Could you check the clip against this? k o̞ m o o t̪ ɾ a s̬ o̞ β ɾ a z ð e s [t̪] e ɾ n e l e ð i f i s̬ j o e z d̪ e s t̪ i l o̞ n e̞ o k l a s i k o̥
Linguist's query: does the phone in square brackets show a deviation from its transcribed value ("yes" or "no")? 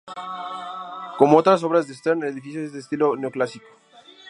no